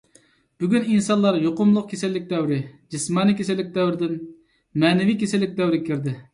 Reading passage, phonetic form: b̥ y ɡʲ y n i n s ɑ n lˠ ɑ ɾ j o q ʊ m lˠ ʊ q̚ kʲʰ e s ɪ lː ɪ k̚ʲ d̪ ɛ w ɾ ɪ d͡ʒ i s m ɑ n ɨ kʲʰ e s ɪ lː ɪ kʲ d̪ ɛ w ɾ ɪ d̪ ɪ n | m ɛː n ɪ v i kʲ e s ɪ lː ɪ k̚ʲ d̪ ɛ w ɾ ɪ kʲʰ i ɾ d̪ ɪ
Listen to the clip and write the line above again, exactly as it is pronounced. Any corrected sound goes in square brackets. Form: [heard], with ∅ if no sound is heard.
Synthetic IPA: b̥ y ɡʲ y n i n s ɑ n lˠ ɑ ɾ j o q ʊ m lˠ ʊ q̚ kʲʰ e s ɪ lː ɪ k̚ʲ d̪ ɛ w ɾ ɪ d͡ʒ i s m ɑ n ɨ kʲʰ e s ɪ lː ɪ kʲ d̪ ɛ w ɾ ɪ d̪ ɪ n | m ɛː n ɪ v i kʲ e s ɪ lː ɪ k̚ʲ d̪ ɛ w ɾ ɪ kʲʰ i ɾ d̪ ɪ